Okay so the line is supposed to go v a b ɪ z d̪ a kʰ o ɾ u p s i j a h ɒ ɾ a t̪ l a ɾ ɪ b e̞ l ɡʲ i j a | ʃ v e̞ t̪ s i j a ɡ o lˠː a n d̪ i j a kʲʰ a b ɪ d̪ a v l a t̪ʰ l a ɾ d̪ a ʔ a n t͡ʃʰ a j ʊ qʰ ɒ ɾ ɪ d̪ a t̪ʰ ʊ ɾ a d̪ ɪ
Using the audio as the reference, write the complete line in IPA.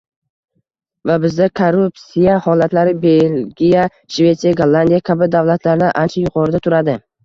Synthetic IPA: v a b ɪ z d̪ a kʰ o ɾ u p s i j a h ɒ l a t̪ l a ɾ ɪ b e̞ l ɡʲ i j a | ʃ v e̞ t̪ s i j a ɡ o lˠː a n d̪ i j a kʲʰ a b ɪ d̪ a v l a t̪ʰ l a ɾ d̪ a ʔ a n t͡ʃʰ a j ʊ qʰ ɒ ɾ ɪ d̪ a t̪ʰ ʊ ɾ a d̪ ɪ

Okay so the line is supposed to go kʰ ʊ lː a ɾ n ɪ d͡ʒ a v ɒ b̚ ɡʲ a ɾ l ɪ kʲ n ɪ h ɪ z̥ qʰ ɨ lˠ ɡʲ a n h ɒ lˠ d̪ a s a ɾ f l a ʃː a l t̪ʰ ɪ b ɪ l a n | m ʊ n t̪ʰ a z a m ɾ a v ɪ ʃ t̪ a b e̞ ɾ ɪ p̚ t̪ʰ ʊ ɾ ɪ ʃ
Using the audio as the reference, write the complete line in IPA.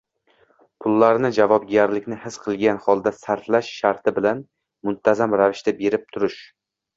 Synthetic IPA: pʰ ʊ lː a ɾ n ɪ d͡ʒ a v ɒ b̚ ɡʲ a ɾ l ɪ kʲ n ɪ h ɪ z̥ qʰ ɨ lˠ ɡʲ a n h ɒ lˠ d̪ a s a ɾ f l a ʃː a ɾ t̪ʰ ɪ b ɪ l a n | m ʊ n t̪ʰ a z a m ɾ a v ɪ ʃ t̪ a b e̞ ɾ ɪ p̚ t̪ʰ ʊ ɾ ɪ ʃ

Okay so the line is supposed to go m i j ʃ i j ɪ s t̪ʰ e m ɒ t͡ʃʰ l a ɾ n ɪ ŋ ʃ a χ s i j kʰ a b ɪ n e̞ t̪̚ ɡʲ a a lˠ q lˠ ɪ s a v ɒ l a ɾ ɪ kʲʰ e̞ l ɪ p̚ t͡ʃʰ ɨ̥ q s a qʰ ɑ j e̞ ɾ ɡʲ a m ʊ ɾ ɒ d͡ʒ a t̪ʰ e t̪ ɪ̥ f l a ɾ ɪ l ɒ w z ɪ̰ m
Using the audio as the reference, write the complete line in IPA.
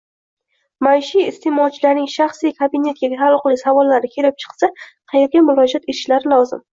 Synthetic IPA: m a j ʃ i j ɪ s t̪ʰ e m ɒ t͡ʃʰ l a ɾ n ɪ ŋ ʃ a χ s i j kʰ a b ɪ n e̞ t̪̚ ɡʲ a a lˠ q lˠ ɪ s a v ɒ lː a ɾ ɪ kʲʰ e̞ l ɪ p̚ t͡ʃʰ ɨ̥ q s a qʰ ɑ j e̞ ɾ ɡʲ a m ʊ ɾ ɒ d͡ʒ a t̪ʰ e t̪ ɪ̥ ʃ l a ɾ ɪ l ɒ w z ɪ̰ m

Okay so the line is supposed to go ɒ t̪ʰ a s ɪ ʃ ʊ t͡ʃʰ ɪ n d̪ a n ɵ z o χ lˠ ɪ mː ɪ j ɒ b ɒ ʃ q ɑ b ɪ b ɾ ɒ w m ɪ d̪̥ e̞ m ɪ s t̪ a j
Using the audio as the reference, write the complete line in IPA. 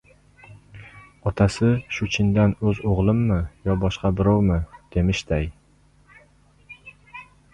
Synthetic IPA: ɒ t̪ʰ a s ɪ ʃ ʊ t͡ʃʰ ɪ n d̪ a n ɵ z o ʁ lˠ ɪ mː ɪ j ɒ b ɒ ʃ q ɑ b ɪ ɾ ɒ w m ɪ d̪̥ e̞ m ɪ ʃ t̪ a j

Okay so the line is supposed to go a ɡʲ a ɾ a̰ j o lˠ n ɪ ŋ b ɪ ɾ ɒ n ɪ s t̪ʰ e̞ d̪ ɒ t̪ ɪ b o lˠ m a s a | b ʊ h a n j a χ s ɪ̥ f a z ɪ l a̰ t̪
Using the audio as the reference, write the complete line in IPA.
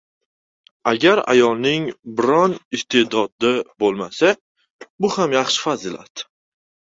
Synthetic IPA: a ɡʲ a ɾ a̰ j ɒ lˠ n ɪ ŋ b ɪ ɾ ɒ n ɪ s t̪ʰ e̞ d̪ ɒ d̪ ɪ b o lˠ m a s a | b ʊ h a m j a χ ʃ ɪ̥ f a z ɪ l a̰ t̪

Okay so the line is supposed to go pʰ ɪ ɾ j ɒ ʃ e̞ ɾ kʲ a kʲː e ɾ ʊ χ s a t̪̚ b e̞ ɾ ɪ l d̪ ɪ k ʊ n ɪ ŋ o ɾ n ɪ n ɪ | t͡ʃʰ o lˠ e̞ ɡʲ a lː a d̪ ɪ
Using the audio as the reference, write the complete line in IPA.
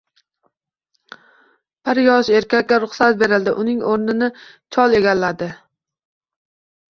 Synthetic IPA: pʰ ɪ ɾ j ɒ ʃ e̞ ɾ kʲ a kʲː a ɾ ʊ χ s a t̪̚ b e̞ ɾ ɪ l d̪ ɪ ʔ ʊ n ɪ ŋ o ɾ n ɪ n ɪ | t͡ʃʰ ɒ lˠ e̞ ɡʲ a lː a d̪ ɪ

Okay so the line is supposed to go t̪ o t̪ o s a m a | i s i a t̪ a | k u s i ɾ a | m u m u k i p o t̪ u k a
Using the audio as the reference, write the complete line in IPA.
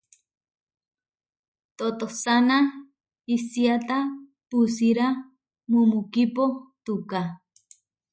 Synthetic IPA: t̪ o t̪ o s a n a | i s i a t̪ a | p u s i ɾ a | m u m u k i p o t̪ u k a

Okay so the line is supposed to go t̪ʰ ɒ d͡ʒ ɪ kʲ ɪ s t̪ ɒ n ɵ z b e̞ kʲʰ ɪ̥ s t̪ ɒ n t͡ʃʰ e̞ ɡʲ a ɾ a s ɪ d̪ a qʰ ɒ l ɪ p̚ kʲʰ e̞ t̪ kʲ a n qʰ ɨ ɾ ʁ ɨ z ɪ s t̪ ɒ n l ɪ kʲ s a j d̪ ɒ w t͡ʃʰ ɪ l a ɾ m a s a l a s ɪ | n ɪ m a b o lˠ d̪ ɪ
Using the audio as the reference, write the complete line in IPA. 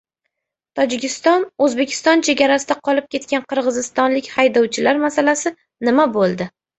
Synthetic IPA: t̪ʰ ɒ d͡ʒ ɪ kʲ ɪ s t̪ ɒ n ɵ z b e̞ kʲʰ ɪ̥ s t̪ ɒ n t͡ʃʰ e̞ ɡʲ a ɾ a s ɪ d̪ a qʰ ɒ l ɪ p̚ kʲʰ e̞ t̪ kʲ a n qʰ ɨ ɾ ʁ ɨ z ɪ s t̪ ɒ n l ɪ kʲ h a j d̪ ɒ w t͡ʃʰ ɪ l a ɾ m a s a l a s ɪ | n ɪ m a b o lˠ d̪ ɪ

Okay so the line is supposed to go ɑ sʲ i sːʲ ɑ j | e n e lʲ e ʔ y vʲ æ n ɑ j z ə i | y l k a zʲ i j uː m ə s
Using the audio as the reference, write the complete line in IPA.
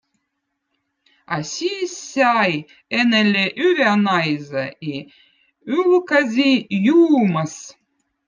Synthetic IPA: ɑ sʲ i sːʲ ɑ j | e n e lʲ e ʔ y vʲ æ n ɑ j z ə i | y l k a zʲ i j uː m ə s

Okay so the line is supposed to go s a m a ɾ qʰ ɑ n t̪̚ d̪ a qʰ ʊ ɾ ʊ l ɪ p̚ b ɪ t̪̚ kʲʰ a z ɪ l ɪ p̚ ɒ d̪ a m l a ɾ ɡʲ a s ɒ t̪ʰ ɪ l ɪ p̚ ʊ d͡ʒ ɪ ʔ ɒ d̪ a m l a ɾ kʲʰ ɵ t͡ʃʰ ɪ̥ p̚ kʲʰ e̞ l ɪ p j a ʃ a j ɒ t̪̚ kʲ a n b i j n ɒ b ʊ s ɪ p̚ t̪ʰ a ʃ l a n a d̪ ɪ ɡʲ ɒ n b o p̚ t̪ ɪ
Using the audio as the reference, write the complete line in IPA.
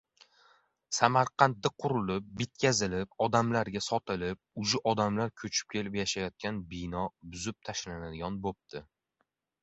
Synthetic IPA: s a m a ɾ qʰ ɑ n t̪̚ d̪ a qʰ ʊ ɾ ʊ l ɪ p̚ b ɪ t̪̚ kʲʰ a z ɪ l ɪ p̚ ɒ d̪ a m l a ɾ ɡʲ a s ɒ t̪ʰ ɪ l ɪ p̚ ʊ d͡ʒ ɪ ʔ ɒ d̪ a m l a ɾ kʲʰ ɵ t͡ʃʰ ɪ̥ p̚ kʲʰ e̞ l ɪ p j a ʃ a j ɒ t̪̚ kʲ a n b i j n ɒ b ʊ z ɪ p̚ t̪ʰ a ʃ l a n a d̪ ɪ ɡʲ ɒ n b o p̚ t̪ ɪ

